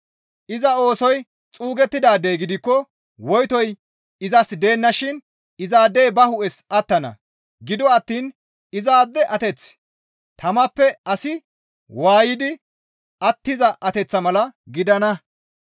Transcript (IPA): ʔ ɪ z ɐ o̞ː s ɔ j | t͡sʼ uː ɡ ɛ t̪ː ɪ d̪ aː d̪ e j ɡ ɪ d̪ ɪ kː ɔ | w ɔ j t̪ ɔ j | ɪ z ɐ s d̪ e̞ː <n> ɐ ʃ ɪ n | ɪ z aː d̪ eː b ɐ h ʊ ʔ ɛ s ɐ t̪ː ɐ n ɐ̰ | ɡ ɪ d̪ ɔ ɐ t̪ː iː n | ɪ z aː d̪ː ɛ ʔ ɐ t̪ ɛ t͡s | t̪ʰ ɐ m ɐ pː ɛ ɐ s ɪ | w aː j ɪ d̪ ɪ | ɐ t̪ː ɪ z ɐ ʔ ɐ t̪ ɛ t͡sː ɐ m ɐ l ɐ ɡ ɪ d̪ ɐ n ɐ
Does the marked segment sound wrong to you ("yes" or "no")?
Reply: yes